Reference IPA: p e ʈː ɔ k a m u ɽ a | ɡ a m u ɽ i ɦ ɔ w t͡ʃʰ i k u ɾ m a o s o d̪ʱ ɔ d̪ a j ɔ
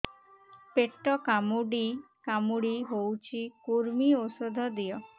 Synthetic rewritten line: p e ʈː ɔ k a m u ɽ i | k a m u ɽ i ɦ o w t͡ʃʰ i k u ɾ m i o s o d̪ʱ ɔ d̪ i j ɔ